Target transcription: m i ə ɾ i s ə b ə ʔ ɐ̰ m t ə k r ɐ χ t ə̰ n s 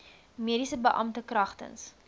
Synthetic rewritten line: m i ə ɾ i s ə b ə ʔ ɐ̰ m t ə k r ɐ χ t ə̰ n s